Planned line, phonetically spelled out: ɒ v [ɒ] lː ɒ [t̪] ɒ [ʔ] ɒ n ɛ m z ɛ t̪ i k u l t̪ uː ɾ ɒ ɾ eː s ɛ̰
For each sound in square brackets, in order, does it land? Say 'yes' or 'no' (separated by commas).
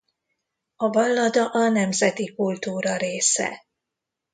yes, no, yes